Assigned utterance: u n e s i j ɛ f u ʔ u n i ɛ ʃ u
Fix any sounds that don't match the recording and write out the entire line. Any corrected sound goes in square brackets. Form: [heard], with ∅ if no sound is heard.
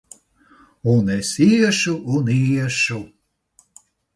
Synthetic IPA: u n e s i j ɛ [ʃ] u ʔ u n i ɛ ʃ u